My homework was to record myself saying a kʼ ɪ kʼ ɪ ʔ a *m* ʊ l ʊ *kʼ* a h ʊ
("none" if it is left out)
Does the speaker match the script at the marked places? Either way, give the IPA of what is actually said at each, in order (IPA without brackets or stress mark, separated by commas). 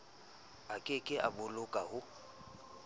b, kʼ